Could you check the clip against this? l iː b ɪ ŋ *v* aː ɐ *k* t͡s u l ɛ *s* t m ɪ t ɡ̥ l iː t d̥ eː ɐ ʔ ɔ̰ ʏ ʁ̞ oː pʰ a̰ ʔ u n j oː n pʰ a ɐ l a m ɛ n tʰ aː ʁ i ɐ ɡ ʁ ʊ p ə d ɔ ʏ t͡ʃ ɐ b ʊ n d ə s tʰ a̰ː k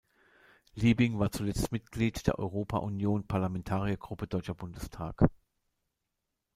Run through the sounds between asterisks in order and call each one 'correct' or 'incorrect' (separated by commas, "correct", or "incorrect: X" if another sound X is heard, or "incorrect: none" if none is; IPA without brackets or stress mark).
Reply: correct, incorrect: none, incorrect: t͡s